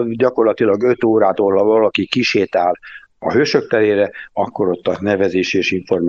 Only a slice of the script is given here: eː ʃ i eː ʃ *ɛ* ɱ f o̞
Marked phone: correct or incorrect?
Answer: incorrect